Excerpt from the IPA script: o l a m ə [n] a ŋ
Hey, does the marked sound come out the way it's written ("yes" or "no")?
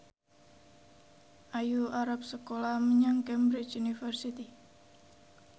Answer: no